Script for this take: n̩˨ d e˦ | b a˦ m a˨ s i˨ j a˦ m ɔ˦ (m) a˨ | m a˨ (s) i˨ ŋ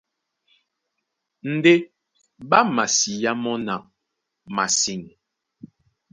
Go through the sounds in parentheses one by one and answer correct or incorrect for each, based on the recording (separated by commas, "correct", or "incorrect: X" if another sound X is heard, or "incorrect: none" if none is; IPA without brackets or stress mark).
incorrect: n, correct